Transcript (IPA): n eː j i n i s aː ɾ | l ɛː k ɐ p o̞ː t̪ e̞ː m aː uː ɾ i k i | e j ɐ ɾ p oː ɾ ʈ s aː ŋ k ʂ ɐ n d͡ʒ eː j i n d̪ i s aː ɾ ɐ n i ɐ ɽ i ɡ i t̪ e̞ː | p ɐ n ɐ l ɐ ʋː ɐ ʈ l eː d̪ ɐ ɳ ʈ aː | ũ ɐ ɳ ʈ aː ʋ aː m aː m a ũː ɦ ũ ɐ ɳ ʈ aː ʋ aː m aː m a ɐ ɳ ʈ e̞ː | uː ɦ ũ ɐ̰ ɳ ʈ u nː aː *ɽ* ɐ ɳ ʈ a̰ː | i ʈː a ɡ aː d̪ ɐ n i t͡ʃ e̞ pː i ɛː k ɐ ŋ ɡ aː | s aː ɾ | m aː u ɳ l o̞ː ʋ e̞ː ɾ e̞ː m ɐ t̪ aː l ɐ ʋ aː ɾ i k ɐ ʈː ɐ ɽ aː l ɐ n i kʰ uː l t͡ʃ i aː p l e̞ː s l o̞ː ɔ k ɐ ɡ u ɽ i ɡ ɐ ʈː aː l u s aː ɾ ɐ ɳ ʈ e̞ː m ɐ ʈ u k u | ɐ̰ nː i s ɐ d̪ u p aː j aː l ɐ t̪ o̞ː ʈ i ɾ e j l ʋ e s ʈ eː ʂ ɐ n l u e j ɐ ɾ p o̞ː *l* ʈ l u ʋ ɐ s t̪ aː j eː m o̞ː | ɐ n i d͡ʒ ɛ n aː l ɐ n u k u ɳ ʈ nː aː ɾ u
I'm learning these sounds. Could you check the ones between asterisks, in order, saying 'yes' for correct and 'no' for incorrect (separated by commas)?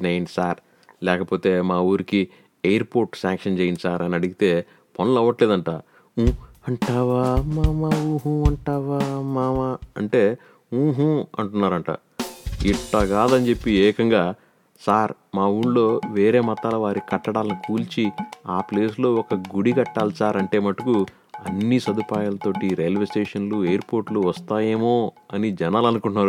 no, no